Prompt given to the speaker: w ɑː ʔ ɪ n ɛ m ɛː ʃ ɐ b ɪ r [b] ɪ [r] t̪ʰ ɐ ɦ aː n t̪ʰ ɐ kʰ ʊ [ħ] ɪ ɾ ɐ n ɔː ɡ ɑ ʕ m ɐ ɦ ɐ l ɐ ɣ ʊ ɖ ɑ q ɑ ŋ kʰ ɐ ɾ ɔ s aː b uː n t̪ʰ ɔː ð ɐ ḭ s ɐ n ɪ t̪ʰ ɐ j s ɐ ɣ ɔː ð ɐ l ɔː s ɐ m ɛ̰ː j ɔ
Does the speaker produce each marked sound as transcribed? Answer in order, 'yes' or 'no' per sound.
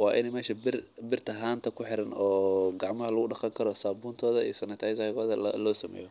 yes, yes, yes

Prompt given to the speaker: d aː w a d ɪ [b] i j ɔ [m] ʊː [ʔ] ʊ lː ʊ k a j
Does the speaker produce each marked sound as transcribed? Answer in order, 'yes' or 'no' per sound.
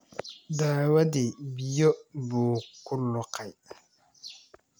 yes, no, no

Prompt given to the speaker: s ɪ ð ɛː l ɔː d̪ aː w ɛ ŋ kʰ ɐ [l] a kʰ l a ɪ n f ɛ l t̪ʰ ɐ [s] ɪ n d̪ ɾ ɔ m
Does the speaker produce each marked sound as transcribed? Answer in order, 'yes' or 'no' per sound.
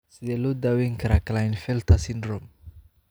no, yes

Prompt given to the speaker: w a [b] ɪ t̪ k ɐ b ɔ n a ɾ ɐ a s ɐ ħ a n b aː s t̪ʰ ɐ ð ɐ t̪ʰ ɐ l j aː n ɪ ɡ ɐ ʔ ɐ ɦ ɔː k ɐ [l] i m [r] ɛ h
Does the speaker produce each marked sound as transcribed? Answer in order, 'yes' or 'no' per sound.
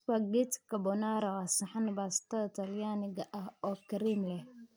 no, no, no

